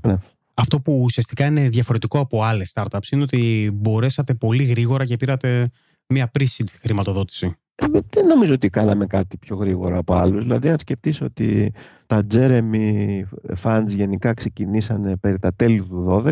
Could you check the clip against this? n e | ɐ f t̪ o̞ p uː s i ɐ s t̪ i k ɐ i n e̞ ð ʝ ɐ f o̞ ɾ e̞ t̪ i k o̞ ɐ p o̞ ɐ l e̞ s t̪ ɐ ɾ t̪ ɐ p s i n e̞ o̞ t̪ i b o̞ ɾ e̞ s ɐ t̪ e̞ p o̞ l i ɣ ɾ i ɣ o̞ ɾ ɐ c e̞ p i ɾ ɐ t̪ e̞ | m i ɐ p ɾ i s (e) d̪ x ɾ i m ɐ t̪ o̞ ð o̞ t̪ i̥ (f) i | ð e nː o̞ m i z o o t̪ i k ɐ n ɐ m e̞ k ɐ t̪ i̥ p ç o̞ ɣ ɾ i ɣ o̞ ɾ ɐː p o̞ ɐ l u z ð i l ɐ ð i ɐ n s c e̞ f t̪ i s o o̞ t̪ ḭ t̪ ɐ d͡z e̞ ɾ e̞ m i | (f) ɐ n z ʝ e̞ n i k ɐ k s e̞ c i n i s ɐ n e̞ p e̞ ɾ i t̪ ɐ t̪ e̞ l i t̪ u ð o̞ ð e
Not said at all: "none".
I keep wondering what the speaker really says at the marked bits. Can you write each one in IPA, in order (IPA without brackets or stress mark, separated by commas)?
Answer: i, s, f